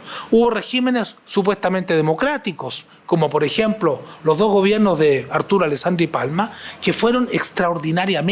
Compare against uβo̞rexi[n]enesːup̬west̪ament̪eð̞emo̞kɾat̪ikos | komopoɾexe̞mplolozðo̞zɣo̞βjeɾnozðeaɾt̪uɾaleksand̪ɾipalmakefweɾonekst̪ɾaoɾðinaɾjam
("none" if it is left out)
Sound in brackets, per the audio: m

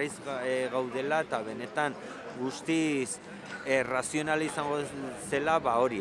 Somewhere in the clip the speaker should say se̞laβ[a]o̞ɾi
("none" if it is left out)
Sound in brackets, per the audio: a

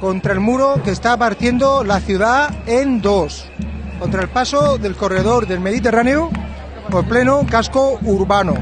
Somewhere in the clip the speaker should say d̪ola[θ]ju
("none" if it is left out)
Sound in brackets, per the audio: θ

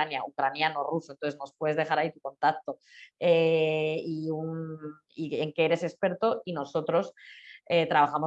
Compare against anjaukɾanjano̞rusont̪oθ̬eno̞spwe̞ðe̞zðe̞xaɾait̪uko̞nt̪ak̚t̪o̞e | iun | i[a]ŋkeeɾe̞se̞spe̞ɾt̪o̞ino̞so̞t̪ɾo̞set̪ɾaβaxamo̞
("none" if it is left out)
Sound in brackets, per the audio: e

